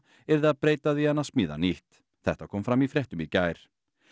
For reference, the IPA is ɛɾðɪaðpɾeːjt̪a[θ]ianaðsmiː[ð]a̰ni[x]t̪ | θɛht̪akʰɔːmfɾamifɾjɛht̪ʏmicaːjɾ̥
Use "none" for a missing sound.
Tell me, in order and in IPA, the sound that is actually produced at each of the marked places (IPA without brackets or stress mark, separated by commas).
ð, ð, h